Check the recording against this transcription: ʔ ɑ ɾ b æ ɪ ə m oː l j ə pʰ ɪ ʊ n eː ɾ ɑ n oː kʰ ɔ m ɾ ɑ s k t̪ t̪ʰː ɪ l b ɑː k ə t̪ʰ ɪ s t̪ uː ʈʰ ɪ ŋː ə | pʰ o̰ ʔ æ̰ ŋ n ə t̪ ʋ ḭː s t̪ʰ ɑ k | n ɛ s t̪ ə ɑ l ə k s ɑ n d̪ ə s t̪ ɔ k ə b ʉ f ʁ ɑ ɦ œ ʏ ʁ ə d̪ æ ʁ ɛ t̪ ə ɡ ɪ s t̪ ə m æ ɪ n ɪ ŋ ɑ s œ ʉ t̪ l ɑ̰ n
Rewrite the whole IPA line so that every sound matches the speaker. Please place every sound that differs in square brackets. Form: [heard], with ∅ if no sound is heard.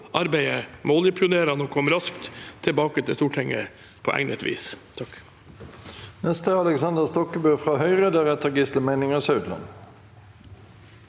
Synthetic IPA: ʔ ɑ ɾ b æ ɪ ə m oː l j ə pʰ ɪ ʊ n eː ɾ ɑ n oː kʰ ɔ m ɾ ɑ s k t̪ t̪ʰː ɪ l b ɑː k ə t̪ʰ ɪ s t̪ uː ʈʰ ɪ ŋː ə | pʰ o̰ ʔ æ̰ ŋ n ə t̪ ʋ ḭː s t̪ʰ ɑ k | n ɛ s t̪ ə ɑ l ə k s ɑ n d̪ ə s t̪ ɔ k ə b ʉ f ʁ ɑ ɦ œ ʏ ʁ ə d̪ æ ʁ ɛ t̪ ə ɡ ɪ s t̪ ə m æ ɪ n ɪ ŋ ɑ s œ ʉ [d̪] l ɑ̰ n